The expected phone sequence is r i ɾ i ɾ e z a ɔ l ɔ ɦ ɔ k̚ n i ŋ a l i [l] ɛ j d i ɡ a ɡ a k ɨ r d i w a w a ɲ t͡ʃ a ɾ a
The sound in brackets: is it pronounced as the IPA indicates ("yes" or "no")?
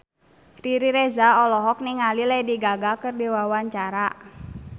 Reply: yes